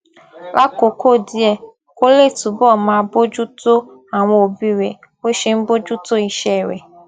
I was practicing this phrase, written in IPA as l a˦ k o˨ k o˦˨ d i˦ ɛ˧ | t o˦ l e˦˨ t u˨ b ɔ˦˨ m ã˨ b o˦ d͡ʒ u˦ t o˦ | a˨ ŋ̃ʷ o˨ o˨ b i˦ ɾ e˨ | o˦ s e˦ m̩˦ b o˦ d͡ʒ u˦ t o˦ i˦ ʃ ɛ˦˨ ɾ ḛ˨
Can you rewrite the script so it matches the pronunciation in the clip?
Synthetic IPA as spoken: l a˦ k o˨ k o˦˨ d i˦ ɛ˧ | k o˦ l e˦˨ t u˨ b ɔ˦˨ m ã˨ b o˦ d͡ʒ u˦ t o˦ | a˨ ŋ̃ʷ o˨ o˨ b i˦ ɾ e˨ | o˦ ʃ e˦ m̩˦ b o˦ d͡ʒ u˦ t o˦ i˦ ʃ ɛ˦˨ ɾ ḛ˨